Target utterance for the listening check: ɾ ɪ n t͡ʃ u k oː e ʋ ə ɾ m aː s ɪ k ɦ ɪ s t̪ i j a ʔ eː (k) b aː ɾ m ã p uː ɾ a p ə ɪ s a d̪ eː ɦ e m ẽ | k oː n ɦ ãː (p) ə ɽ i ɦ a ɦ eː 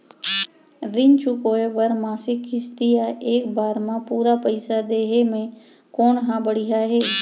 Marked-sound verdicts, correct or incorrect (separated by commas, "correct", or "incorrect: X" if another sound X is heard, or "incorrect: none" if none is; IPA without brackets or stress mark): correct, incorrect: b